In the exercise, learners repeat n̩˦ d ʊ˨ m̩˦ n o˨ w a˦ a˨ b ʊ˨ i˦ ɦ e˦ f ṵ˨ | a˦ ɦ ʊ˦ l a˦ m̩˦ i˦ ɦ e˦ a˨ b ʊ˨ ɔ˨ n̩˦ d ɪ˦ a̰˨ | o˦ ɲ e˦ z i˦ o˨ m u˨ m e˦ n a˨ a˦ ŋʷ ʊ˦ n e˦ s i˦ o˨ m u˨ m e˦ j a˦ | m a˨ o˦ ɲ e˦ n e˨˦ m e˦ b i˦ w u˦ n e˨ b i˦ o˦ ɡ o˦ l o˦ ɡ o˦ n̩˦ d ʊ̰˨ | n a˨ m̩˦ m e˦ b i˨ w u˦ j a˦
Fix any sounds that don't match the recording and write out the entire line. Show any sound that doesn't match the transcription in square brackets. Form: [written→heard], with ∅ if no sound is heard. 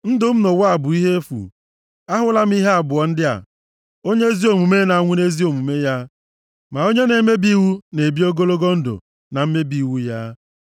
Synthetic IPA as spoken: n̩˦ d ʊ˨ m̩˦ n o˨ w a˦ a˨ b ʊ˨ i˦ ɦ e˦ f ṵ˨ | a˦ ɦ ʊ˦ l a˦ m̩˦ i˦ ɦ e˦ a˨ b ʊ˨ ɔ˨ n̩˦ d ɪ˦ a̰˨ | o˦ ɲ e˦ z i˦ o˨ m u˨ m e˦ n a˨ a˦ ŋʷ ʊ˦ n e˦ [s→z] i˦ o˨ m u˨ m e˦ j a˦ | m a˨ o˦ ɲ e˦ n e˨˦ m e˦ b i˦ w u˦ n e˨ b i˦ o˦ ɡ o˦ l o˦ ɡ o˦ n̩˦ d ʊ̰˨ | n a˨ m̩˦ m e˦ b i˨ w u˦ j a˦

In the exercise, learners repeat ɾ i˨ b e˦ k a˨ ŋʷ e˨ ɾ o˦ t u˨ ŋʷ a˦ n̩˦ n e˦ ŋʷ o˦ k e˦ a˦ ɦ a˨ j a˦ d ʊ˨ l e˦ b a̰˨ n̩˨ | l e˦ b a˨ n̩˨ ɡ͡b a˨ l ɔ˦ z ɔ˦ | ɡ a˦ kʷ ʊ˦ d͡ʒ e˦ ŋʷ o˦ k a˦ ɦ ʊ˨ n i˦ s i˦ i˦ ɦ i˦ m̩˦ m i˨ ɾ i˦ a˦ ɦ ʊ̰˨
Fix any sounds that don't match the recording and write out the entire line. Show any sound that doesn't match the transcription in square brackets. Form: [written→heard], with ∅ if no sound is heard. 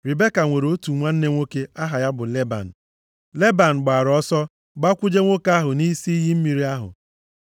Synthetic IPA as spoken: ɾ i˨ b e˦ k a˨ ŋʷ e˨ ɾ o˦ t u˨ ŋʷ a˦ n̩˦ n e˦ ŋʷ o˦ k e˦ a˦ ɦ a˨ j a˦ [d→b] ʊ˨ l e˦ b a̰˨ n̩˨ | l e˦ b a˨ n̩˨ ɡ͡b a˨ [l→ɾ] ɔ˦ [z→s] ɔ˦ | [ɡ→ɡ͡b] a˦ kʷ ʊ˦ d͡ʒ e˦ ŋʷ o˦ k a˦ ɦ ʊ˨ n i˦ s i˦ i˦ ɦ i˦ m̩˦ m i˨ ɾ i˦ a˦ ɦ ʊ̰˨

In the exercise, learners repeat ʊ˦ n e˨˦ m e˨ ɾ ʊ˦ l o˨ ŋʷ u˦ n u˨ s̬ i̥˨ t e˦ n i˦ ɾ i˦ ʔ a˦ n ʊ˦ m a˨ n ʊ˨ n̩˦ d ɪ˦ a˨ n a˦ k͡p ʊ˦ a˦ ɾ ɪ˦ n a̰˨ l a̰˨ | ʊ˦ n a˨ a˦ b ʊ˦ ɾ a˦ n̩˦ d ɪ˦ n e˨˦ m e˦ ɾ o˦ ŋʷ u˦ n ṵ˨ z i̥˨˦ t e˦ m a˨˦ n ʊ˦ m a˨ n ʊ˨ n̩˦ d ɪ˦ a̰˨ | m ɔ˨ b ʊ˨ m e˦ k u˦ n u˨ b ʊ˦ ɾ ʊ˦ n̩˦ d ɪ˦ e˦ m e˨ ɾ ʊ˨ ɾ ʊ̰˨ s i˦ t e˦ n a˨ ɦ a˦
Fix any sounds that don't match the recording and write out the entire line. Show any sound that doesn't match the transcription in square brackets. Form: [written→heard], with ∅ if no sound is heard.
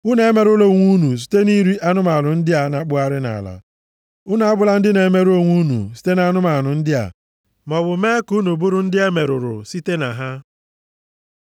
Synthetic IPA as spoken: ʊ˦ n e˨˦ m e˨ ɾ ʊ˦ l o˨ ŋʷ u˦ n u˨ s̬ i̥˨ t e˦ n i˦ ɾ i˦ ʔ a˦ n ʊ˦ m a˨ n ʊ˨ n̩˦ d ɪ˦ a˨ n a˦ k͡p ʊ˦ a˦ ɾ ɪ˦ n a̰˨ l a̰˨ | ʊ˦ n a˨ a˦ b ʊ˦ [ɾ→l] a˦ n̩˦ d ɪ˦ n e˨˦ m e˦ ɾ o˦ ŋʷ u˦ n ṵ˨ [z→s] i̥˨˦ t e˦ [m→n] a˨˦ n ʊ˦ m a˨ n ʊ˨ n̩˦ d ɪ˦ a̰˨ | m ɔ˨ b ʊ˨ m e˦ k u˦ n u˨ b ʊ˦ ɾ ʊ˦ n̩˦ d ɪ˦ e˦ m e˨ ɾ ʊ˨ ɾ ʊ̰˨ s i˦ t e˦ n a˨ ɦ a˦

